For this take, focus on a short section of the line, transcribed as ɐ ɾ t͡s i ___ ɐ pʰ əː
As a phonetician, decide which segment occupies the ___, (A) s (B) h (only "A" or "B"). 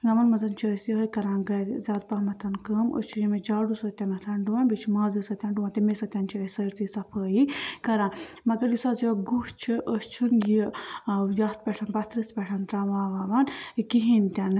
A